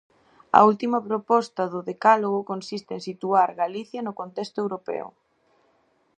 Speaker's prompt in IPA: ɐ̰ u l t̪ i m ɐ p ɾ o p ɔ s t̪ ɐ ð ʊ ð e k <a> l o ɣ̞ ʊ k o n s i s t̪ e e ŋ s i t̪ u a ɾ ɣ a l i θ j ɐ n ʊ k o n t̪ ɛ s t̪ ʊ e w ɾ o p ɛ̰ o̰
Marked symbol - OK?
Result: yes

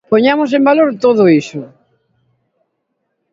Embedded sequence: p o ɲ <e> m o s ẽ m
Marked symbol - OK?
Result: no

